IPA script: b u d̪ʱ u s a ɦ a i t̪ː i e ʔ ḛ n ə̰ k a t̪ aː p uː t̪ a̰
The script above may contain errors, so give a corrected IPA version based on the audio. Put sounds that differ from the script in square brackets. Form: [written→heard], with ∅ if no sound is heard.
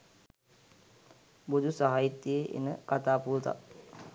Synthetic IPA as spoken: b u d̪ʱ u s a ɦ a i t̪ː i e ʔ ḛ n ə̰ k a t̪ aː p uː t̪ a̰